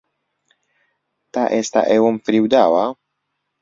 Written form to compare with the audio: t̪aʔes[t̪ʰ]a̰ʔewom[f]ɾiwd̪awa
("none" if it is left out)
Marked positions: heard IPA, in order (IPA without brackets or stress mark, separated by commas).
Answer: t̪, f